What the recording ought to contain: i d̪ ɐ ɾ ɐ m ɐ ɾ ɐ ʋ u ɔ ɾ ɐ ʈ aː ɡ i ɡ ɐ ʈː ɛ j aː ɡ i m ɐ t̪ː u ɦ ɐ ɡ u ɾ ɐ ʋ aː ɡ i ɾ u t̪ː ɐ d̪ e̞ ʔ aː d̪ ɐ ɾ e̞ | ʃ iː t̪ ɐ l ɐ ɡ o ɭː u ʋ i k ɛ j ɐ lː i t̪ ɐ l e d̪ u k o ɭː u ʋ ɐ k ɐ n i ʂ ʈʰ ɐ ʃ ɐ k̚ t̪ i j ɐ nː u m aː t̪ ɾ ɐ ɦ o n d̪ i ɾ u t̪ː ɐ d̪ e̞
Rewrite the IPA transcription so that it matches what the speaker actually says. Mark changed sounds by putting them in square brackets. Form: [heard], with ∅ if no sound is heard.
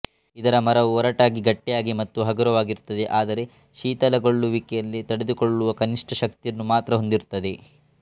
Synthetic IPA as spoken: i d̪ ɐ ɾ ɐ m ɐ ɾ ɐ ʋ u ɔ ɾ ɐ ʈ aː ɡ i ɡ ɐ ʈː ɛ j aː ɡ i m ɐ t̪ː u ɦ ɐ ɡ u ɾ ɐ ʋ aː ɡ i ɾ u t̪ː ɐ d̪ e̞ ʔ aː d̪ ɐ ɾ e̞ | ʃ iː t̪ ɐ l ɐ ɡ o ɭː u ʋ i k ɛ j ɐ lː i t̪ ɐ [ɽ] e d̪ u k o ɭː u ʋ ɐ k ɐ n i ʂ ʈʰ ɐ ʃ ɐ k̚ t̪ i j ɐ nː u m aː t̪ ɾ ɐ ɦ o n d̪ i ɾ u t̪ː ɐ d̪ e̞